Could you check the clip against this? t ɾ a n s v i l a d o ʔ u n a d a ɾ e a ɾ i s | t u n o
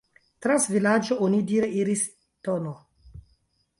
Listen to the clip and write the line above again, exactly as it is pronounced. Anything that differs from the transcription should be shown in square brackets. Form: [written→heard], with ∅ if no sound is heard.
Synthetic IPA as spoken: t ɾ a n s v i l a [d→d͡ʒ] o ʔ [u→o] n [a→i] d [a→i] ɾ e [a→i] ɾ i s | t [u→o] n o